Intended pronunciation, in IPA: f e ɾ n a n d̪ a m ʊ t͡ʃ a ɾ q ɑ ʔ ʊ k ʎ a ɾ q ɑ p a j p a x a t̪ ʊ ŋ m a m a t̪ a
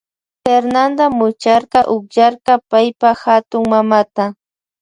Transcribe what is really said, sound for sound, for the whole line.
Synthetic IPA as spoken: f e ɾ n a n d̪ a m ʊ t͡ʃ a ɾ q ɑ ʔ ʊ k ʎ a ɾ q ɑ p a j p a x a t̪ ʊ ŋ m a m a t̪ a